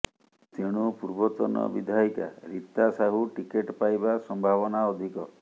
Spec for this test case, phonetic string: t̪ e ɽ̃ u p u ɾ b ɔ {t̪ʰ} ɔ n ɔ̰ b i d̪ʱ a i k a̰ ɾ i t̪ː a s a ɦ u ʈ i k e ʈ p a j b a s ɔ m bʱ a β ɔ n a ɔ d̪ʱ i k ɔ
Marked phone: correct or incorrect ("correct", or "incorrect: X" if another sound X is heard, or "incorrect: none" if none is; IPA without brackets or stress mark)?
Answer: incorrect: t̪